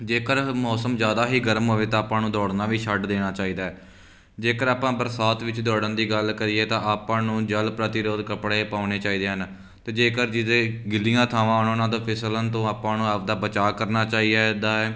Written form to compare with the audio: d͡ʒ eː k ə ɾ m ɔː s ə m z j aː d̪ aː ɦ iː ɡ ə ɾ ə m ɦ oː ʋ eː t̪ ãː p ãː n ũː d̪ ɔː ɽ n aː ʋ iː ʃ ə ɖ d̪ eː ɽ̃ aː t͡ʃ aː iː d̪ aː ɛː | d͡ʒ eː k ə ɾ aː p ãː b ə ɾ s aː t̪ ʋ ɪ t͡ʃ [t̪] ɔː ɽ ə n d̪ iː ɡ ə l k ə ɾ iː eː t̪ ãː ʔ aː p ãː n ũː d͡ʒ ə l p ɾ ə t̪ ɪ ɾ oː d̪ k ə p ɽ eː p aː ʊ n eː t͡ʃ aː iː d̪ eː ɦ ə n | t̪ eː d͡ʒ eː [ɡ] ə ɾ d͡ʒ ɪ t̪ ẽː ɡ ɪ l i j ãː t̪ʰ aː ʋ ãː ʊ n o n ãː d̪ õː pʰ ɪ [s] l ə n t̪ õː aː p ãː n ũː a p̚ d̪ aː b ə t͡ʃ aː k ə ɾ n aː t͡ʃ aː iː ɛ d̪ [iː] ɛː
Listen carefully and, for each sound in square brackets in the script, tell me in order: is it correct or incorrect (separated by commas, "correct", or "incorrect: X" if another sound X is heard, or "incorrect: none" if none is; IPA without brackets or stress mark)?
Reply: incorrect: d̪, incorrect: k, correct, incorrect: aː